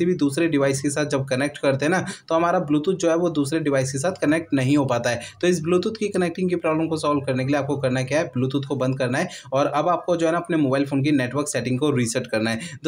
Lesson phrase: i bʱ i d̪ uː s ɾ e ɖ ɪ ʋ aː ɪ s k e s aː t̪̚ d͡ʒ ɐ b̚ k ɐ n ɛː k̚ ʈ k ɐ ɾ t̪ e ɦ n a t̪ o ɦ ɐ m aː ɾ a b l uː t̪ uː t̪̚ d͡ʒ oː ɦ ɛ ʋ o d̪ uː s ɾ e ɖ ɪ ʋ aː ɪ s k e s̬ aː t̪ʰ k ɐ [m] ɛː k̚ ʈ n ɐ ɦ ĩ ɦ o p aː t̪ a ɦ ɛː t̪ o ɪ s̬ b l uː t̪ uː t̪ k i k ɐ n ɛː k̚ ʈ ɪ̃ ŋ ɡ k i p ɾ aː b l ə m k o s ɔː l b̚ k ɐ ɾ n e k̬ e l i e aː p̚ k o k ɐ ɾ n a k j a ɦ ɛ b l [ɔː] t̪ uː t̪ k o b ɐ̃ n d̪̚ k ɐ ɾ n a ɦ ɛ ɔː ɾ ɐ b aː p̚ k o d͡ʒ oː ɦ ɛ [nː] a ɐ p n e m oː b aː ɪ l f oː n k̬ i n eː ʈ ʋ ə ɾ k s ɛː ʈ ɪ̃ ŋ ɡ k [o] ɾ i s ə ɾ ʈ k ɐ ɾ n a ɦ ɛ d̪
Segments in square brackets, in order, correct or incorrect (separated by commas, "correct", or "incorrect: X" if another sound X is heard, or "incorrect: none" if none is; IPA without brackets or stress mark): incorrect: n, incorrect: uː, incorrect: n, correct